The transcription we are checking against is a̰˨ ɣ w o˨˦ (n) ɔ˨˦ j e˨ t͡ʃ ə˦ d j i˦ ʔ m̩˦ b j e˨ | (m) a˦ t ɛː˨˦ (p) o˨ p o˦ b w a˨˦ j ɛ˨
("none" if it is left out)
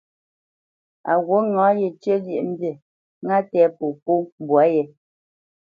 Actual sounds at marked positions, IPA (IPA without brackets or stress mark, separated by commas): ŋ, ŋ, p